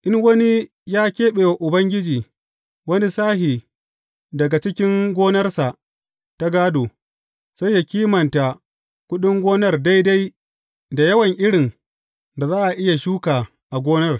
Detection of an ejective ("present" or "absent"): absent